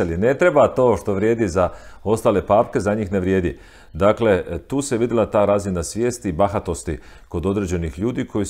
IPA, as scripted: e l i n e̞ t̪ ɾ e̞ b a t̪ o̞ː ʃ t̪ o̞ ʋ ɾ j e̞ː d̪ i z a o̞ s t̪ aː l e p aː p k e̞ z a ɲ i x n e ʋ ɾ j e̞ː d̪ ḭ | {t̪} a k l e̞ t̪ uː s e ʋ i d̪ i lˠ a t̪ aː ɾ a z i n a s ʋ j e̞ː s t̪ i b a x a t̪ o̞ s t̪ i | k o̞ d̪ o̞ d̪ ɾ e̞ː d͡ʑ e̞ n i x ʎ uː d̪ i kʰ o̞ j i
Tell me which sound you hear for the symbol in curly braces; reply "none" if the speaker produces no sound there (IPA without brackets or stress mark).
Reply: d̪